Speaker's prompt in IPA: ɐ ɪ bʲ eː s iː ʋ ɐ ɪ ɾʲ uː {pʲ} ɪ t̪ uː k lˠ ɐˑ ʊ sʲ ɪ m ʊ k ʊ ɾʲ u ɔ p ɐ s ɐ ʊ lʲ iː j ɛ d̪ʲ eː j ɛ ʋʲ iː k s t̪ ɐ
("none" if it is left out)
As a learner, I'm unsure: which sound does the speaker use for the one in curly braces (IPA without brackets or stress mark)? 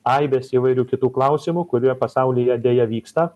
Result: kʲ